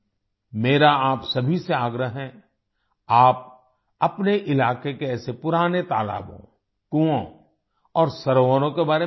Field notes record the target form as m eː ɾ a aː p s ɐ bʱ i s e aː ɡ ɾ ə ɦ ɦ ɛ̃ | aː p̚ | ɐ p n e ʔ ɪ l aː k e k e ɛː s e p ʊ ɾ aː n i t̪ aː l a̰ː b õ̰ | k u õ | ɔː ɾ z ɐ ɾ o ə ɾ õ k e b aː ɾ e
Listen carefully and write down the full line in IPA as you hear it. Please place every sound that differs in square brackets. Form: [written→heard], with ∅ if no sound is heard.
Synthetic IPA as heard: m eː ɾ a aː p s ɐ bʱ i s e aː ɡ ɾ ə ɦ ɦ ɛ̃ | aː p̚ | ɐ p n e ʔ ɪ l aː k e k e ɛː s e p ʊ ɾ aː n [i→e] t̪ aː l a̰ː b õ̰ | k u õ | ɔː ɾ [z→s] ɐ ɾ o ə ɾ õ k e b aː ɾ e